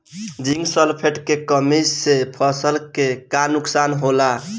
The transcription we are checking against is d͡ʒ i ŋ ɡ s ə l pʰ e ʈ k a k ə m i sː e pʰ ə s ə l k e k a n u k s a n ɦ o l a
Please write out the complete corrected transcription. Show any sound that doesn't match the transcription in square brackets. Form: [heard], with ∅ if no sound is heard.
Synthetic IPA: d͡ʒ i ŋ ɡ s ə l pʰ e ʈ k [e] k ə m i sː e pʰ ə s ə l k e k a n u k s a n ɦ o l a